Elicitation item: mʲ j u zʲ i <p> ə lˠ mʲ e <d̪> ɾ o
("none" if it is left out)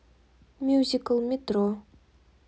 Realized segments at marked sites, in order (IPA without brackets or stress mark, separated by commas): k, t̪